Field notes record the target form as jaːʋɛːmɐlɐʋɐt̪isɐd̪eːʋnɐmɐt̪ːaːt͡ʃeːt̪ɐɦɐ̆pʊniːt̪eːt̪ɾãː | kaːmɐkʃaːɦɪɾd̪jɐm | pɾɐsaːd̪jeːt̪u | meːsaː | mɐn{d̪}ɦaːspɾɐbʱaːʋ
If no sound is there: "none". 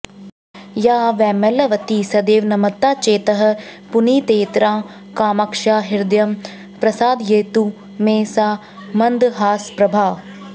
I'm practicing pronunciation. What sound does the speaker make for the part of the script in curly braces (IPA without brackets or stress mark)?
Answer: d̪